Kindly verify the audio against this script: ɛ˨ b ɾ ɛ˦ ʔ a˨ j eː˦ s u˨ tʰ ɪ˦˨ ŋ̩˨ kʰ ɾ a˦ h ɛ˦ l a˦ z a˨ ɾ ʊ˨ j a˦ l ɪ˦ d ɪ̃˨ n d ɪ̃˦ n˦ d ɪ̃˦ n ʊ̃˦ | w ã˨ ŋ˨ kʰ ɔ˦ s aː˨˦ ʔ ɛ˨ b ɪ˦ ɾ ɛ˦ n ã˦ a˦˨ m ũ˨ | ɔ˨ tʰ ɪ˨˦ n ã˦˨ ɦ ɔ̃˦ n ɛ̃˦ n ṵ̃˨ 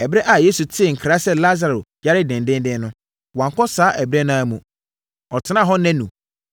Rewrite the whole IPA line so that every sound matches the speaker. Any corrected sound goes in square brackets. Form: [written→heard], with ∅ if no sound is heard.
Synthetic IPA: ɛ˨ b ɾ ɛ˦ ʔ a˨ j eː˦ s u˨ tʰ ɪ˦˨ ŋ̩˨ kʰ ɾ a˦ [h→s] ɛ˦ l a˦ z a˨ ɾ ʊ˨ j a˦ [l→ɾ] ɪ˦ d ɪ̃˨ n d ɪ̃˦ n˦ d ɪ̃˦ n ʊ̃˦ | w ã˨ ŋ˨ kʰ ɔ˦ s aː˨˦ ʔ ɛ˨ b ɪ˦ ɾ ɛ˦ n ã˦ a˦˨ m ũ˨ | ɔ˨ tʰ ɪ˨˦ n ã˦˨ ɦ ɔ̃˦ n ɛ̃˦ n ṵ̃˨